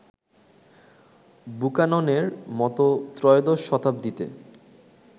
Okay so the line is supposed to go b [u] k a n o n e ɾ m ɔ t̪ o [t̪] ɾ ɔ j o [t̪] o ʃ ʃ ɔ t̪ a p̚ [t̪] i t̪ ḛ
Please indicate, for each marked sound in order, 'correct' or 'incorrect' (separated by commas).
correct, correct, incorrect, incorrect